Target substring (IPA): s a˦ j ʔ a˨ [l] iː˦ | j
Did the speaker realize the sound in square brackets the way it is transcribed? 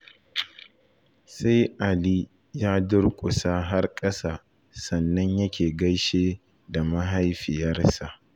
yes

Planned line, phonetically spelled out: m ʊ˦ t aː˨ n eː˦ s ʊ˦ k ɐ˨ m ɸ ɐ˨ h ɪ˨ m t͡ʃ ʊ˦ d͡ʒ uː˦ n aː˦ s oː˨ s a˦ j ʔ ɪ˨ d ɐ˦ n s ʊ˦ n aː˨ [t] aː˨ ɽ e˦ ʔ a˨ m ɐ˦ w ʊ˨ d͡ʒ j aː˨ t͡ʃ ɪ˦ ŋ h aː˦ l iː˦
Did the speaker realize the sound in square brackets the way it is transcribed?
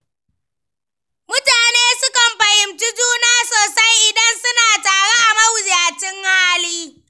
yes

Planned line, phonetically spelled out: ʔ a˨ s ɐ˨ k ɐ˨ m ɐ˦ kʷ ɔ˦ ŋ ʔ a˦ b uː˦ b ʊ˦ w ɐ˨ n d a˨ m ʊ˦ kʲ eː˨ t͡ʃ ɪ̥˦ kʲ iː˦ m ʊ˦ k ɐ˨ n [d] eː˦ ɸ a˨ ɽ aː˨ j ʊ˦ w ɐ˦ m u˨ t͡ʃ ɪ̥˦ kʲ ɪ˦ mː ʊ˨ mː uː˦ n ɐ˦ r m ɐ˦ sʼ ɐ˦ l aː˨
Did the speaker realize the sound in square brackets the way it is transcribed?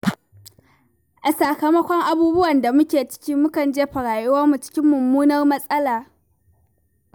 no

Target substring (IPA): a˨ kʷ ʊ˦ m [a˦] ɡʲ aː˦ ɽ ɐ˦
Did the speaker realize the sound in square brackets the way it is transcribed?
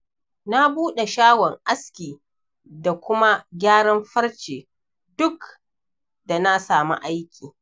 yes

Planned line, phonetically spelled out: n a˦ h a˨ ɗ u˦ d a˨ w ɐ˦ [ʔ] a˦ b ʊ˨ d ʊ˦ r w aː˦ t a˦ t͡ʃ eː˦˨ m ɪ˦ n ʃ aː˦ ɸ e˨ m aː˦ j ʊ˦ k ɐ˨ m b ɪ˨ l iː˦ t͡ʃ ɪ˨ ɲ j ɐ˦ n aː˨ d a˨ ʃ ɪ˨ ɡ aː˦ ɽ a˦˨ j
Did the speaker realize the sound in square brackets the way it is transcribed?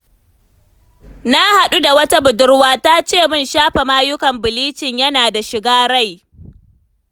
no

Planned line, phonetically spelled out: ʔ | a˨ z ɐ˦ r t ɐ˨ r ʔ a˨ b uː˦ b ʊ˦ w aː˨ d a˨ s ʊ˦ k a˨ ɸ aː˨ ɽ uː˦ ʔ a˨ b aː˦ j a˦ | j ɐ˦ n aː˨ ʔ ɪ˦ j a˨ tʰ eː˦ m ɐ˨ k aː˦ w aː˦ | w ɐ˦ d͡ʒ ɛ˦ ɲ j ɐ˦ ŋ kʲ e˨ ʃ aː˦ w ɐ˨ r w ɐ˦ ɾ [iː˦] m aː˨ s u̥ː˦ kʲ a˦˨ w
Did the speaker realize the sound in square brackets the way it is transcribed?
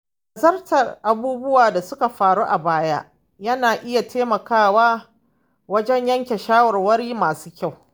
yes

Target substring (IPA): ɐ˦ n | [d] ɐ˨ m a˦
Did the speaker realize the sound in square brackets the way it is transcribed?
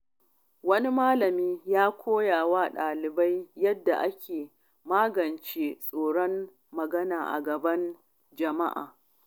no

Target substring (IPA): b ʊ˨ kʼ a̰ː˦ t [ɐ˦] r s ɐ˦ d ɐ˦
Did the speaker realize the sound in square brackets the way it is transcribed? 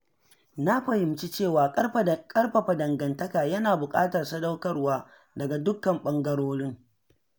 no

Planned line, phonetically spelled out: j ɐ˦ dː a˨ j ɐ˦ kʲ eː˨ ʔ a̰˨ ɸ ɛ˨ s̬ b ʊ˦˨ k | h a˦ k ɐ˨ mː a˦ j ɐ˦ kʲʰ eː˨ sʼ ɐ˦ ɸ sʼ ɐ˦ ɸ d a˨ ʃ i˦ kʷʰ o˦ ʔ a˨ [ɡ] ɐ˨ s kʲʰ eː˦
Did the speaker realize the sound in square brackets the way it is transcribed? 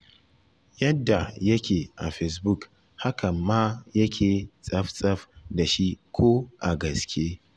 yes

